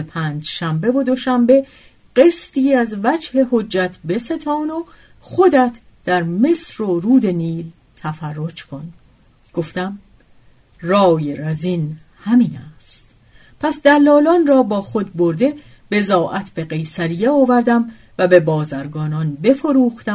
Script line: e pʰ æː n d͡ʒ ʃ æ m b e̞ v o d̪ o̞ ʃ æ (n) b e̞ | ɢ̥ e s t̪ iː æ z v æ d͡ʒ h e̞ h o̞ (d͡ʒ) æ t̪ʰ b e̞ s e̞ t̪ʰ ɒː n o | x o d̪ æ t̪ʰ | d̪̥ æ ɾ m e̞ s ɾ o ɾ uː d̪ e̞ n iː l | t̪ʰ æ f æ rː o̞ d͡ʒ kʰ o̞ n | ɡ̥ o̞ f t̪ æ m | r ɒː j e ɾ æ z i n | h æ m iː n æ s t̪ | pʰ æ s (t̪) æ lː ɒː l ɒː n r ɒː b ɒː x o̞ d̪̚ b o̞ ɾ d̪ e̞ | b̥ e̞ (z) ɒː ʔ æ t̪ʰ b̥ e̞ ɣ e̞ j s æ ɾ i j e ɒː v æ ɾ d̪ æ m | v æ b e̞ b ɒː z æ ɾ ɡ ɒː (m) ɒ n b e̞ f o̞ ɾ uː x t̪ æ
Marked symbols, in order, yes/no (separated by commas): no, no, no, yes, no